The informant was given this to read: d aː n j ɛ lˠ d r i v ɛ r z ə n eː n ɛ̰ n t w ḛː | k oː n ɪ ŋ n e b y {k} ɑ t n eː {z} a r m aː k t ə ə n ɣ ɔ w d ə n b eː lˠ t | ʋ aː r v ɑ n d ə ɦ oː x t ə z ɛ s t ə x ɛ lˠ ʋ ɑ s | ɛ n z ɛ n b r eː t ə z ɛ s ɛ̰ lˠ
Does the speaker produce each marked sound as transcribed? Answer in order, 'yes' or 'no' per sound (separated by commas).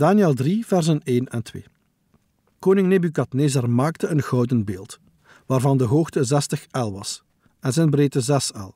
yes, yes